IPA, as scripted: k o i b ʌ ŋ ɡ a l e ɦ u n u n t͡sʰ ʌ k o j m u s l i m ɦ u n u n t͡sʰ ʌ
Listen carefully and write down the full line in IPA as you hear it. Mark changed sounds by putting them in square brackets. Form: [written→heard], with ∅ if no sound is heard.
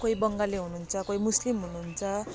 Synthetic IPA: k o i b ʌ ŋ ɡ a l e ɦ u n u n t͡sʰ ʌ k o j m u s l i m ɦ u n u n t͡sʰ ʌ

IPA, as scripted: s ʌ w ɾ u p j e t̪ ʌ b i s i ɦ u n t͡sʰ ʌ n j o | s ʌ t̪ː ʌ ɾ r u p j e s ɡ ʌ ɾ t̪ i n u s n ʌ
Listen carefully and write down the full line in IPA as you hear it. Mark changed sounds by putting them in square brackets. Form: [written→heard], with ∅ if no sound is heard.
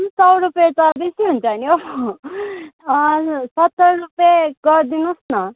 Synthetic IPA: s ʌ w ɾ u p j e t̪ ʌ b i s i ɦ u n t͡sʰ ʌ n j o | s ʌ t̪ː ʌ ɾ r u p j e [s→∅] ɡ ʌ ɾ [t̪→d̪] i n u s n ʌ

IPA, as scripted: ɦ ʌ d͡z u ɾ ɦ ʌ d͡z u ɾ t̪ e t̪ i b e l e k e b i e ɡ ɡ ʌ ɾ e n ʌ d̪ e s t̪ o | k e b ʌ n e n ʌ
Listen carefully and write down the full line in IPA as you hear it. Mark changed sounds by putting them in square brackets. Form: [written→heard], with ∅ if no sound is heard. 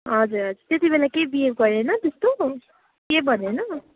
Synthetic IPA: ɦ ʌ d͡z u ɾ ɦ ʌ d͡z u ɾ t̪ e t̪ i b e l [e→a] k e b i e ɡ ɡ ʌ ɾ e n ʌ [d̪→t̪] e s t̪ o | k e b ʌ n e n ʌ

